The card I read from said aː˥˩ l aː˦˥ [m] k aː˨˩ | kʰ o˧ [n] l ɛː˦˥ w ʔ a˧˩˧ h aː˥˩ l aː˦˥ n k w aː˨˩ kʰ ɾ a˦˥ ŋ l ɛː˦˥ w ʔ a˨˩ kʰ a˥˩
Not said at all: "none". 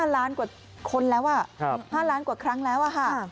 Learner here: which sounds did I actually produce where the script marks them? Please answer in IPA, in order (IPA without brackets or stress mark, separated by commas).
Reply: n, n